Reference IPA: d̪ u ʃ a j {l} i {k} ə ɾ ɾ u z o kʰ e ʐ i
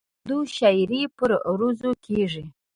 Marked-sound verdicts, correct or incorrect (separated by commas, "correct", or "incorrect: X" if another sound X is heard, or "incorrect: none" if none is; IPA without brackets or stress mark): incorrect: ɾ, incorrect: p